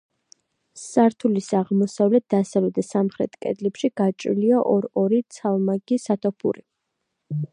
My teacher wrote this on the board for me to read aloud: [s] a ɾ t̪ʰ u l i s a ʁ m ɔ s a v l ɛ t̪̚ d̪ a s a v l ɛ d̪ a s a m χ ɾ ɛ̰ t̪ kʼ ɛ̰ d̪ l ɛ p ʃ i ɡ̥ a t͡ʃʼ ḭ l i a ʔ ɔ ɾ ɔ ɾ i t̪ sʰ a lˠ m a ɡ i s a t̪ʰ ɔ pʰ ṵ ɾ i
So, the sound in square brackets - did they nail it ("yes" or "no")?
yes